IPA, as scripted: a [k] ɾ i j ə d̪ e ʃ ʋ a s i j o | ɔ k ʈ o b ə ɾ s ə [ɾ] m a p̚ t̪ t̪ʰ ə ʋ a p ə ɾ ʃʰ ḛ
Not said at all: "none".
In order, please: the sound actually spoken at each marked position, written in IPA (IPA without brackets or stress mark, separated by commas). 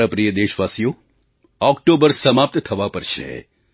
p, none